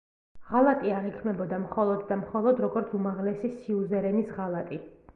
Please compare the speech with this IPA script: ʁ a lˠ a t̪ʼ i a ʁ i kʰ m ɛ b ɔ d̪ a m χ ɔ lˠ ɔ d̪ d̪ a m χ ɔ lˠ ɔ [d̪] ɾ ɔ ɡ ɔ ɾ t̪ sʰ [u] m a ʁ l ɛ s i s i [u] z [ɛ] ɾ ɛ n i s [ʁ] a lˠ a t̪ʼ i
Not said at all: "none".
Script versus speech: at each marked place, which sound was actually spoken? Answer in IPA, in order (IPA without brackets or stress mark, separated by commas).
d̪, u, u, ɛ, ʁ